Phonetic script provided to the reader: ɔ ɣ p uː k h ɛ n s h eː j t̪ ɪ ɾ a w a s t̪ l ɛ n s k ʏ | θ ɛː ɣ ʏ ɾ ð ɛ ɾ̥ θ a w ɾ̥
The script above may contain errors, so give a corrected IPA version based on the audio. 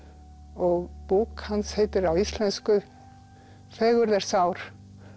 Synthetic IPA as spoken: ɔ ɣ p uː k h a n s h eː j t̪ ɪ ɾ a w i s t̪ l ɛ n s k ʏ | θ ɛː ɣ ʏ ɾ ð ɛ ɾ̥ s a w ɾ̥